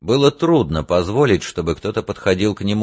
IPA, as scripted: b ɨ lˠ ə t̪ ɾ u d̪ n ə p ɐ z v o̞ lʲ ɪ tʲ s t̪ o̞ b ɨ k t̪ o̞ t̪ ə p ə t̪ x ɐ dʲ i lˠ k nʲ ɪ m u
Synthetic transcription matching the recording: b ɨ lˠ ə t̪ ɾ u d̪ n ə p ɐ z v o̞ lʲ ɪ tʲ ʂ t̪ o̞ b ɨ k t̪ o̞ t̪ ə p ə t̪ x ɐ dʲ i lˠ k nʲ ɪ m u